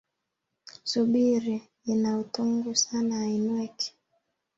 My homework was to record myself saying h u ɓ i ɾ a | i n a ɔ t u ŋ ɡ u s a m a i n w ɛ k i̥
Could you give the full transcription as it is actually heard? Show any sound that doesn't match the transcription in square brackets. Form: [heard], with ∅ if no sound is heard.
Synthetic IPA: [s] u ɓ i ɾ [i] | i n a [u] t u ŋ ɡ u s a [n] a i n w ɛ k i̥